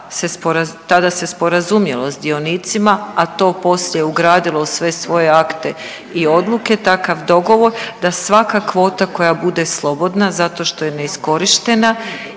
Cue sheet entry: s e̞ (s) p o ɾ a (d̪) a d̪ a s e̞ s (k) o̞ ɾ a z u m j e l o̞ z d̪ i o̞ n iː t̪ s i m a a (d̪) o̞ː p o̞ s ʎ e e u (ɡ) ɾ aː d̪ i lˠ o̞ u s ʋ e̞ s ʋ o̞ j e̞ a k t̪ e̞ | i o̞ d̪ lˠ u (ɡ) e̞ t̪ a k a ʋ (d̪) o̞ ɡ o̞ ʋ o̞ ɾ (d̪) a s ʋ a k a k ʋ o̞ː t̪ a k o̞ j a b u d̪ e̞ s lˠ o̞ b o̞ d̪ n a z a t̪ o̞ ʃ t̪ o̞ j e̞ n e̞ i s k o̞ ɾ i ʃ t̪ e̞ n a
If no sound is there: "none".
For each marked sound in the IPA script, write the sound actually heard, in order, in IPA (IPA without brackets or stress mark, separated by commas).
s, t̪, p, t̪, ɡ, k, d̪, d̪